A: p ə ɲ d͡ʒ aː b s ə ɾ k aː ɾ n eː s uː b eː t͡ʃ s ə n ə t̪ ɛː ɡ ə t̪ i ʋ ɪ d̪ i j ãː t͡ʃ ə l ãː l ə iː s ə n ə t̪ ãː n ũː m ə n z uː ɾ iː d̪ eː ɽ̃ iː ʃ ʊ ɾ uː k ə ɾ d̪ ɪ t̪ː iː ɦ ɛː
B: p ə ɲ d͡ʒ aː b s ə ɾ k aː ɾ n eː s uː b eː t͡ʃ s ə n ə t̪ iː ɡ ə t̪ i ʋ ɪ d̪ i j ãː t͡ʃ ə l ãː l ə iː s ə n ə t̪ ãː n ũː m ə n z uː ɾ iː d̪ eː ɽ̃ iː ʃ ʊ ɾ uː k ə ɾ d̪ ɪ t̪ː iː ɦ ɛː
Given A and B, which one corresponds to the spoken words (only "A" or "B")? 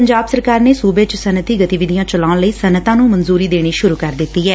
B